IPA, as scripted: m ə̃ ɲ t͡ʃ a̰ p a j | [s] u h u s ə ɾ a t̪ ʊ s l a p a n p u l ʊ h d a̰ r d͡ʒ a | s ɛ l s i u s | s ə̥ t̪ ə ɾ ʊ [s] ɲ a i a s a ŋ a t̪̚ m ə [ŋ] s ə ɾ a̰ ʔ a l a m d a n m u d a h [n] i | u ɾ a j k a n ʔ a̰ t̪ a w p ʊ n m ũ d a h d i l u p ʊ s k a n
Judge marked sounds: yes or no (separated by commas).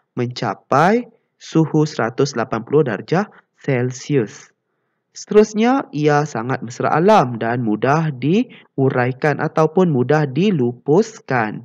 yes, yes, no, no